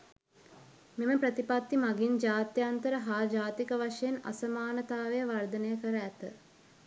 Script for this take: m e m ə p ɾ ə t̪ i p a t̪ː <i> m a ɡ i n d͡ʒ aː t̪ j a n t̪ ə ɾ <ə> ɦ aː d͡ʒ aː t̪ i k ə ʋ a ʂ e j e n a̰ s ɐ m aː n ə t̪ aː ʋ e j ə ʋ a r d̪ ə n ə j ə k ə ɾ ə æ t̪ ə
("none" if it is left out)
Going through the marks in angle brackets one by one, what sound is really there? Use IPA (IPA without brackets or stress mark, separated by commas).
i, ə